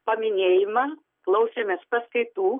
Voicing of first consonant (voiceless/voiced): voiceless